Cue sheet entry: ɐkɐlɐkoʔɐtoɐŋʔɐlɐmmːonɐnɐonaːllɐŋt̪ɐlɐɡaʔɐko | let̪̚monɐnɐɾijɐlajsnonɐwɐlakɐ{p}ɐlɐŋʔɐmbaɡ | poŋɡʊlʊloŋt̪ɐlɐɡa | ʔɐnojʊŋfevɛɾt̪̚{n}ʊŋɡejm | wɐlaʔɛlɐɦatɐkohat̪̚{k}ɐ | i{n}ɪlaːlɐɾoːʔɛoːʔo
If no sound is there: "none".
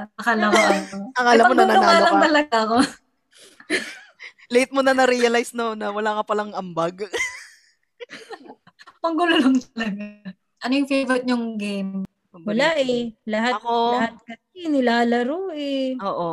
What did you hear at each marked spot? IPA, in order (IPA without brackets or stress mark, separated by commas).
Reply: p, ɲ, k, n